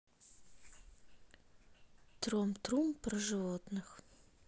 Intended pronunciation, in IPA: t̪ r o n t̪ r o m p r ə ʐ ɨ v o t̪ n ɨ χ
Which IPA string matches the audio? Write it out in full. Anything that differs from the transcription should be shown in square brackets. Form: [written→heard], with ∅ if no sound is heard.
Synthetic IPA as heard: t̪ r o [n→m] t̪ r [o→u] m p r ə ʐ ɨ v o t̪ n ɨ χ